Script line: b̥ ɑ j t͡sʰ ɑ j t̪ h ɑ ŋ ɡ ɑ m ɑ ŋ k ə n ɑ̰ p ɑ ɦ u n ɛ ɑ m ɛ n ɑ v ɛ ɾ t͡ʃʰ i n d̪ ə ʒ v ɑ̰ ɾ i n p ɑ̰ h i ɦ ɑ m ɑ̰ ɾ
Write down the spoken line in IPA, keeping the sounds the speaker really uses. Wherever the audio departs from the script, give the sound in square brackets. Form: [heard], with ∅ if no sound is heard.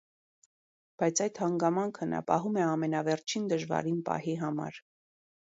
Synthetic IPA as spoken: b̥ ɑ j t͡sʰ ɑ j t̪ h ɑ ŋ ɡ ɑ m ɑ ŋ [kʰ] ə n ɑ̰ p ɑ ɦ u [m] ɛ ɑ m ɛ n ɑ v ɛ ɾ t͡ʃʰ i n d̪ ə ʒ v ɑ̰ ɾ i n p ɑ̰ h i ɦ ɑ m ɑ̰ ɾ